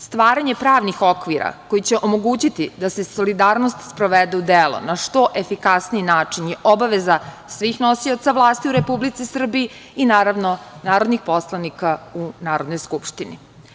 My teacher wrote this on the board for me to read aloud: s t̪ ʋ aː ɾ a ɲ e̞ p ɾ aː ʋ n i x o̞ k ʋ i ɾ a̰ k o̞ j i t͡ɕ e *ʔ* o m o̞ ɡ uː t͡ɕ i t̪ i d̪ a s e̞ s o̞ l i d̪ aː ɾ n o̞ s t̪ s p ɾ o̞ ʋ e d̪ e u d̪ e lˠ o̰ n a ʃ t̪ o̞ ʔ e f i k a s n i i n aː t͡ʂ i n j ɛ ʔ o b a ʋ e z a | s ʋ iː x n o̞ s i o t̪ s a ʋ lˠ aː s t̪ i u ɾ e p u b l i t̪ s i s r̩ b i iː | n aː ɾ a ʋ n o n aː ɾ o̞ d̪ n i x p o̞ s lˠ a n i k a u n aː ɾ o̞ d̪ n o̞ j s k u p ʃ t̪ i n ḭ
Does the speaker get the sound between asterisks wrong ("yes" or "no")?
no